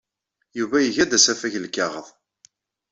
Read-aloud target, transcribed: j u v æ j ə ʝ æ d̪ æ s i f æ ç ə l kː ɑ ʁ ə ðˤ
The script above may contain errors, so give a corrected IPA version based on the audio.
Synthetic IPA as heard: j u v æ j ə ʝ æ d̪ æ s æ f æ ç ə l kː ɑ ʁ ə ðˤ